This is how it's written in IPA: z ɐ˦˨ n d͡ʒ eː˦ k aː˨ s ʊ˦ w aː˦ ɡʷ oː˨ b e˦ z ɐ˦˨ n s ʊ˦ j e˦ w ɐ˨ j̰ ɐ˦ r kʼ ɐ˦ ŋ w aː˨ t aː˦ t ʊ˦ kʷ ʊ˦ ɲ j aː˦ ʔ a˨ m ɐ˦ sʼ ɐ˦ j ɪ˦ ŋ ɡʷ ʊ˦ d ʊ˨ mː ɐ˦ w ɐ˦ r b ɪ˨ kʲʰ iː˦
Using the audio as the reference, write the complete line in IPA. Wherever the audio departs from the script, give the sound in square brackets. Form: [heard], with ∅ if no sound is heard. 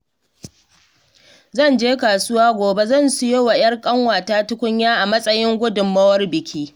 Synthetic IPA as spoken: z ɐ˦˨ n d͡ʒ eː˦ k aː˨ s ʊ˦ w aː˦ ɡʷ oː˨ b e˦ z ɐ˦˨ n s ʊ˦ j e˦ w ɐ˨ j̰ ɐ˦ r kʼ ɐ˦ ŋ w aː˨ t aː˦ t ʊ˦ kʷ ʊ˦ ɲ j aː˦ ʔ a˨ m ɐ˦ sʼ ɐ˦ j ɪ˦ ŋ ɡʷ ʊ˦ d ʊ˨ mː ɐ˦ w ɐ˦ r b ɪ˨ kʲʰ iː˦